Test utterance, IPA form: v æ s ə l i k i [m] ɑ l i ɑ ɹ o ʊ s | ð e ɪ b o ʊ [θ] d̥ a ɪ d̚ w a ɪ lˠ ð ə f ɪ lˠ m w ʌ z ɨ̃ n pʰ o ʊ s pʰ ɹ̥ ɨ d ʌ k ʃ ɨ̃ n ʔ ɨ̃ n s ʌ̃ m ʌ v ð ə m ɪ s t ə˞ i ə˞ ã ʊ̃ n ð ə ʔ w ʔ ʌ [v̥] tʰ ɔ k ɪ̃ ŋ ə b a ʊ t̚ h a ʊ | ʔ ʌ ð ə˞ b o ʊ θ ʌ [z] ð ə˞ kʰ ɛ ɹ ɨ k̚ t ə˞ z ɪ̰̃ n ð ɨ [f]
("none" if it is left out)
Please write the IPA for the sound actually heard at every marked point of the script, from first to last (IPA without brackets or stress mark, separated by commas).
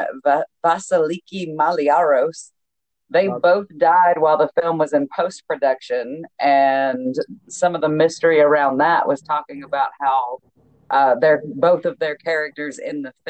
m, θ, z̥, v, f